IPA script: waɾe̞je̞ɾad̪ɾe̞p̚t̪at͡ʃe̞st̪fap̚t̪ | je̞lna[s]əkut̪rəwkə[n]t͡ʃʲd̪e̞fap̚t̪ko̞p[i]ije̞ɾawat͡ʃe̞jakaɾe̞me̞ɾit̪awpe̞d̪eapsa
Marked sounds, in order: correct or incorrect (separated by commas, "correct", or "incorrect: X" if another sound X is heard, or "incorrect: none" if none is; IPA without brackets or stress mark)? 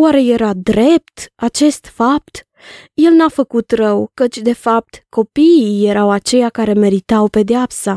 incorrect: f, incorrect: none, correct